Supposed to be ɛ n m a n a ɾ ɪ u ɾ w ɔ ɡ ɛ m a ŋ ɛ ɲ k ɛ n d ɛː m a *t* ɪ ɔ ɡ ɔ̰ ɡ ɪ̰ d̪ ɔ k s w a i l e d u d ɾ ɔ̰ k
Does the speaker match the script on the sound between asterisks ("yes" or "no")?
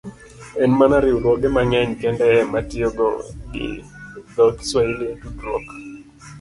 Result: yes